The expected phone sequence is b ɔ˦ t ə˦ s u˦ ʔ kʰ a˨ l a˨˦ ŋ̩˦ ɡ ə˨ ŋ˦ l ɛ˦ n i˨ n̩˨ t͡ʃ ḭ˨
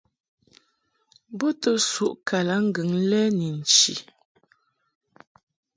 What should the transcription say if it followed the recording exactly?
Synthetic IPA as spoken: b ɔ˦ t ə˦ s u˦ ʔ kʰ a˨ l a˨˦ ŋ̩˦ ɡ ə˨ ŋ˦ l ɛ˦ n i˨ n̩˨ t͡ʃ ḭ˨